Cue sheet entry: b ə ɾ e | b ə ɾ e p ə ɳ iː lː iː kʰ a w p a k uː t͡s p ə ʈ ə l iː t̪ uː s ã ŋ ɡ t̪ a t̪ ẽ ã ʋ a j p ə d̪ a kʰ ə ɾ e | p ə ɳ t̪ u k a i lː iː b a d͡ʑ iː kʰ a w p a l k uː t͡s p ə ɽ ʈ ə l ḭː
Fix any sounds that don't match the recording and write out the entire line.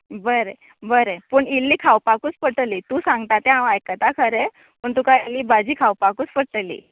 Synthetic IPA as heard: b ə ɾ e | b ə ɾ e p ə ɳ i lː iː kʰ a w p a k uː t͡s p ə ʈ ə l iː t̪ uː s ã ŋ ɡ t̪ a t̪ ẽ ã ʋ a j k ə t̪ a kʰ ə ɾ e | p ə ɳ t̪ u k a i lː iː b a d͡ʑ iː kʰ a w p a k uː t͡s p ə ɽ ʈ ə l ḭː